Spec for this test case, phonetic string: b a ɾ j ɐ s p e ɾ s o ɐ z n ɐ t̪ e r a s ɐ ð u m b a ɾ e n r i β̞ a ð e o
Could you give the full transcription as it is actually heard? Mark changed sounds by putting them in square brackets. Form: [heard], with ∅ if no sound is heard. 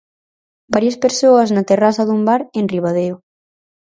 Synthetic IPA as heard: b a ɾ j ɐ s p e ɾ s o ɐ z n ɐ t̪ e r a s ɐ ð u m b a ɾ e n r i β̞ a ð e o